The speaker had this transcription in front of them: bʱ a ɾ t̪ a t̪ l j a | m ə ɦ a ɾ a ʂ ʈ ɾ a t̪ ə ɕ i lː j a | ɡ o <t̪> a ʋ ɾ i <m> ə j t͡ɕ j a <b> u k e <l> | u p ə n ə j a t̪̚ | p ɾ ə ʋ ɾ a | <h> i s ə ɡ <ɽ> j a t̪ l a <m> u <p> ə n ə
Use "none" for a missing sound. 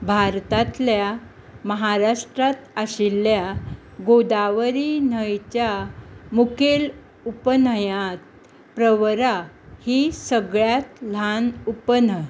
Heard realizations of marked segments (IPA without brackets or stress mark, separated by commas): d̪, n, m, l, h, ɭ, n, p